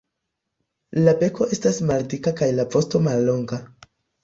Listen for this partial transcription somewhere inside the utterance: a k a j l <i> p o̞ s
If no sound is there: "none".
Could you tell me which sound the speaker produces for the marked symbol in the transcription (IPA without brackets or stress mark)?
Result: a